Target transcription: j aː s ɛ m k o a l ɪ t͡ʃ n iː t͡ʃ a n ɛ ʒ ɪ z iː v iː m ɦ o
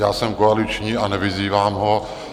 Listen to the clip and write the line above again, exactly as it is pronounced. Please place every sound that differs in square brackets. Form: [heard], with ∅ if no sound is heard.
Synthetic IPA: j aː s ɛ m k o a l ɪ t͡ʃ [ɲ] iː [∅] a n ɛ [v] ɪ z iː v [aː] m ɦ o